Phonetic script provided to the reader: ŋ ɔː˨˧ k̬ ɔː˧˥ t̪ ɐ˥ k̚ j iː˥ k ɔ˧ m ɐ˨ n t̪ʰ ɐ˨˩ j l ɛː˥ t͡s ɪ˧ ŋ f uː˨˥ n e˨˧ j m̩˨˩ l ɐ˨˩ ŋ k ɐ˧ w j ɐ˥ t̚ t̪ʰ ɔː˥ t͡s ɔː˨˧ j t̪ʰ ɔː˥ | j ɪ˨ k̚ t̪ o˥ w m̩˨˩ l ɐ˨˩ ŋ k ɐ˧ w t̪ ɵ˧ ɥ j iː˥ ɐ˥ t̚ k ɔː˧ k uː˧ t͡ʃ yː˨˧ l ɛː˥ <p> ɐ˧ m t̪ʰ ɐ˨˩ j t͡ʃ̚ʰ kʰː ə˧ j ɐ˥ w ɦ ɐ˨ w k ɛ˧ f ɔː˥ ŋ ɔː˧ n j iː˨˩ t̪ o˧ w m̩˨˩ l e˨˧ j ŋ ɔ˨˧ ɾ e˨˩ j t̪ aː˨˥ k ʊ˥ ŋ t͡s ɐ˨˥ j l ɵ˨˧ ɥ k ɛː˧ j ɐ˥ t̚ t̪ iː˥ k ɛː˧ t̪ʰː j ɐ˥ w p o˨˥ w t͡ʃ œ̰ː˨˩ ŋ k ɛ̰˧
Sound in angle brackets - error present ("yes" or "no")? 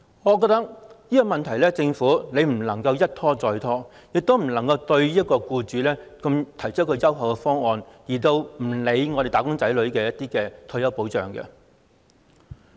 yes